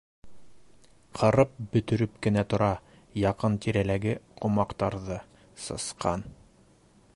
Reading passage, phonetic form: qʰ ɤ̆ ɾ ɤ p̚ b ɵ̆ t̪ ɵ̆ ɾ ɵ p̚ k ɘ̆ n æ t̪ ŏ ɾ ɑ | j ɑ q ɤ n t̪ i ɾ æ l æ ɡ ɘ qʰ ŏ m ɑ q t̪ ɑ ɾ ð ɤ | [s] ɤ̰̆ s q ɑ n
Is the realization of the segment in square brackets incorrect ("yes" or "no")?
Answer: no